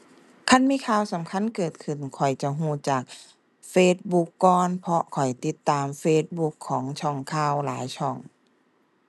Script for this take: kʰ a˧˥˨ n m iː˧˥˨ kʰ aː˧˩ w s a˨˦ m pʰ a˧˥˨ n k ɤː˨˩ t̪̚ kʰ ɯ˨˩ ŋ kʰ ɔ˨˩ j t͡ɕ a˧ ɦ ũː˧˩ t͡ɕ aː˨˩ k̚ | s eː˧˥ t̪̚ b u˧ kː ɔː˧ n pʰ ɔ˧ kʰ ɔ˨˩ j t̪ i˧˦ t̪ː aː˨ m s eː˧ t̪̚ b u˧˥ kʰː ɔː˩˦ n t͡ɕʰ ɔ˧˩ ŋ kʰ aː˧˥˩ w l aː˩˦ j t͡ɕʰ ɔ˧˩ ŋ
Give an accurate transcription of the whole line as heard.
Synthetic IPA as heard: kʰ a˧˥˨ n m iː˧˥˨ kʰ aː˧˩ w s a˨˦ m kʰ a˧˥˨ n k ɤː˨˩ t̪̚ kʰ ɯ˨˩ n kʰ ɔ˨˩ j t͡ɕ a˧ ɦ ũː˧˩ t͡ɕ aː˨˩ k̚ | f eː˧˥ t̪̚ b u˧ kː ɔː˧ n pʰ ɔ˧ kʰ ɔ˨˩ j t̪ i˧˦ t̪ː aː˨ m f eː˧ t̪̚ b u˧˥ kʰː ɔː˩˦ ŋ t͡ɕʰ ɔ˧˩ ŋ kʰ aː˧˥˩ w l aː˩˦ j t͡ɕʰ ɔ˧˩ ŋ